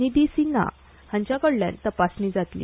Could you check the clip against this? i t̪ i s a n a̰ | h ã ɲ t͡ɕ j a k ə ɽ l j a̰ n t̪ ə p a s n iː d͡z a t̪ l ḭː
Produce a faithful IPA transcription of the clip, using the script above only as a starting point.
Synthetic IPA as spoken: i d̪ i s i n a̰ | h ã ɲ t͡ɕ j a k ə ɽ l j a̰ n t̪ ə p a s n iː d͡z a t̪ l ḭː